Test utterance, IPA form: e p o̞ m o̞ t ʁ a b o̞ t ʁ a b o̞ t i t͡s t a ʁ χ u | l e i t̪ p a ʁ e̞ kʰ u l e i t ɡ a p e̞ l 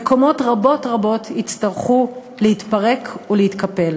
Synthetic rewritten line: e k o̞ m o̞ t ʁ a b o̞ t ʁ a b o̞ t i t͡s t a ʁ χ u | l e i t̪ p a ʁ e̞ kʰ u l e i t k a p e̞ l